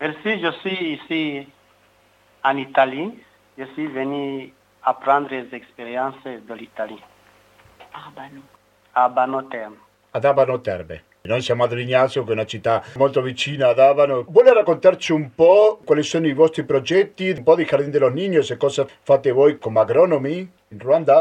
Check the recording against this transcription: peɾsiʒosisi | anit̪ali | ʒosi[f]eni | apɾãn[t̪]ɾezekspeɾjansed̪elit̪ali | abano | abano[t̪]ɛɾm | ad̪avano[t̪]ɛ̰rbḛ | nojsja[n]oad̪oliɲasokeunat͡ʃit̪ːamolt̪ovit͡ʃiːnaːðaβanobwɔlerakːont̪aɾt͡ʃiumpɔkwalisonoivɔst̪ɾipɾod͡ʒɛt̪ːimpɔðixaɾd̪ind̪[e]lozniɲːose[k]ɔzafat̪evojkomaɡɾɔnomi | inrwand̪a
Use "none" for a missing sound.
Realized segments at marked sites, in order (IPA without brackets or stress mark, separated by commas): v, d̪, t̪, t̪, m, e, k